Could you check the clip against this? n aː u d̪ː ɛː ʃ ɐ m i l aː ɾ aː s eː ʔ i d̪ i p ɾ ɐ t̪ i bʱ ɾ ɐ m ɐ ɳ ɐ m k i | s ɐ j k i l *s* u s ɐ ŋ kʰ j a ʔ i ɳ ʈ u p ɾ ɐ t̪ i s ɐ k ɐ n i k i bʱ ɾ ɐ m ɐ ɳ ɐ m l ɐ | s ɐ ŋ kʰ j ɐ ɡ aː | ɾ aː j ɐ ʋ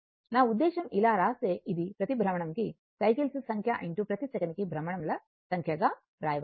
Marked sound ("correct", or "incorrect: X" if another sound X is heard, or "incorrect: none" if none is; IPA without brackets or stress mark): correct